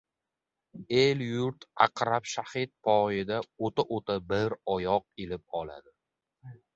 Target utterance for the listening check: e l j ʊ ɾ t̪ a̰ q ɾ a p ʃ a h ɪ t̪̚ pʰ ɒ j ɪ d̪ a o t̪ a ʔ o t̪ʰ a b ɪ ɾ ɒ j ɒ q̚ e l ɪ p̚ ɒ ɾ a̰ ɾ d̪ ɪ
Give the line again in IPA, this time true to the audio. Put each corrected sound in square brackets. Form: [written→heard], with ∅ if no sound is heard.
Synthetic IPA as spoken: e l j ʊ ɾ t̪ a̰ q ɾ a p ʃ a h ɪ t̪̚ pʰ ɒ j ɪ d̪ a o t̪ a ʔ o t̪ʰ a b ɪ ɾ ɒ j ɒ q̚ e l ɪ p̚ ɒ [ɾ→l] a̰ [ɾ→∅] d̪ ɪ

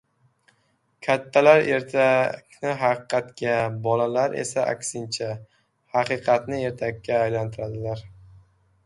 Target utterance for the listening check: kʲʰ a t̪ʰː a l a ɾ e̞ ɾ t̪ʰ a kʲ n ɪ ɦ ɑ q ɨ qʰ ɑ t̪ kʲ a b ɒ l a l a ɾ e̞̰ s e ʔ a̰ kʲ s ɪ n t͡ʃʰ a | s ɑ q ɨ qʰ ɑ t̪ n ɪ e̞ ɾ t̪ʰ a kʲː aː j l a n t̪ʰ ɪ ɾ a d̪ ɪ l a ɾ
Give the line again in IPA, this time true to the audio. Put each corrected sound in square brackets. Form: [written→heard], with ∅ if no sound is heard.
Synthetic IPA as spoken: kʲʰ a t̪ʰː a l a ɾ e̞ ɾ t̪ʰ a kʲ n ɪ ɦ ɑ q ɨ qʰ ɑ t̪ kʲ a b ɒ l a l a ɾ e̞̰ s [e→a] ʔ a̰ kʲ s ɪ n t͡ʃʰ a | [s→h] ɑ q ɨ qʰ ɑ t̪ n ɪ e̞ ɾ t̪ʰ a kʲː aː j l a n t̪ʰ ɪ ɾ a d̪ ɪ l a ɾ

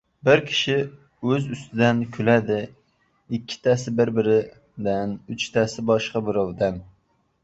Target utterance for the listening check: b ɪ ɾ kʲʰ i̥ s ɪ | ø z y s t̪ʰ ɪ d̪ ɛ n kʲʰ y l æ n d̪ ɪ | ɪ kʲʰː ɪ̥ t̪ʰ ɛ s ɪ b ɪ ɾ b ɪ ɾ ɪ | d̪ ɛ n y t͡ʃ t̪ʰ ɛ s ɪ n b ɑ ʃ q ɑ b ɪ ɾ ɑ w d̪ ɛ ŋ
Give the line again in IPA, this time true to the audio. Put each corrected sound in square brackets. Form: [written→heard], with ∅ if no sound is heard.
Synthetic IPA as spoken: b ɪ ɾ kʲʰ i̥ [s→ʃ] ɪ | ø z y s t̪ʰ ɪ d̪ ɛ n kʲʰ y l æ [n→∅] d̪ ɪ | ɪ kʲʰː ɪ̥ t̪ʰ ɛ s ɪ b ɪ ɾ b ɪ ɾ ɪ | d̪ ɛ n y t͡ʃ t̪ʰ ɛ s ɪ [n→∅] b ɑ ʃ q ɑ b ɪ ɾ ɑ w d̪ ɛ [ŋ→n]

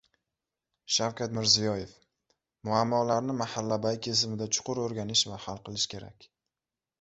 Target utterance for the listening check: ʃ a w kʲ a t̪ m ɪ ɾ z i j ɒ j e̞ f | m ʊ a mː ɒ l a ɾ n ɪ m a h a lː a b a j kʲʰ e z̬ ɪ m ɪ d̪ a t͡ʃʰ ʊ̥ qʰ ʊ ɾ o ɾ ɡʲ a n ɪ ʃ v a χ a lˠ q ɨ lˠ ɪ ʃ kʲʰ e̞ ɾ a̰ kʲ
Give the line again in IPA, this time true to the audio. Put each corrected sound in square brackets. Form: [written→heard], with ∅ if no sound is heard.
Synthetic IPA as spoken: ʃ a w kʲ a t̪ m ɪ ɾ z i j ɒ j e̞ f | m ʊ a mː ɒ l a ɾ n ɪ m a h a lː a b a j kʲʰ e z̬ ɪ m ɪ d̪ a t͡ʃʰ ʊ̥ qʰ ʊ ɾ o ɾ ɡʲ a n ɪ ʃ v a [χ→h] a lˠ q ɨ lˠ ɪ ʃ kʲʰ e̞ ɾ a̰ kʲ

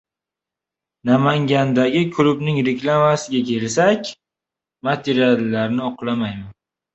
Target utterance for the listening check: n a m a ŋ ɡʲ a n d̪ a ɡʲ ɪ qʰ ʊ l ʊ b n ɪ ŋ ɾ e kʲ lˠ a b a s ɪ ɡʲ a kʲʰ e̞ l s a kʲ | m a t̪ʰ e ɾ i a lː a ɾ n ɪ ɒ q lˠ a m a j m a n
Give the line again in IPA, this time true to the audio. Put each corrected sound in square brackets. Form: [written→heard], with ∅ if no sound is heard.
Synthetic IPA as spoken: n a m a ŋ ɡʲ a n d̪ a ɡʲ ɪ [qʰ→kʰ] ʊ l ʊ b n ɪ ŋ ɾ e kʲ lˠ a [b→m] a s ɪ ɡʲ a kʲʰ e̞ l s a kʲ | m a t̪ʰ e ɾ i a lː a ɾ n ɪ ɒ q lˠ a m a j m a n

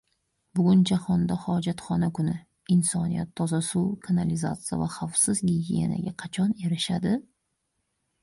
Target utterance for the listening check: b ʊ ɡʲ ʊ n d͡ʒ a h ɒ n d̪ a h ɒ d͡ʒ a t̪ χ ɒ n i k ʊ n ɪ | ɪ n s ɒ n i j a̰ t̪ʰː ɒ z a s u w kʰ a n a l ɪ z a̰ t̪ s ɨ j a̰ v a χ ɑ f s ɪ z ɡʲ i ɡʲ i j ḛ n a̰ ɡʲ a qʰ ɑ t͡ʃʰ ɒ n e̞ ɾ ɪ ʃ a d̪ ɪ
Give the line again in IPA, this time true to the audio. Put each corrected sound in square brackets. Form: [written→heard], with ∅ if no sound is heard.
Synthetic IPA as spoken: b ʊ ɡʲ ʊ n d͡ʒ a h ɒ n d̪ a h ɒ d͡ʒ a t̪ χ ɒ n [i→a] k ʊ n ɪ | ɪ n s ɒ n i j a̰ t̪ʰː ɒ z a s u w kʰ a n a l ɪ z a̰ t̪ s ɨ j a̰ v a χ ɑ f s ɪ z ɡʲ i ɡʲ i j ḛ n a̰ ɡʲ a qʰ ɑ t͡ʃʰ ɒ n e̞ ɾ ɪ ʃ a d̪ ɪ

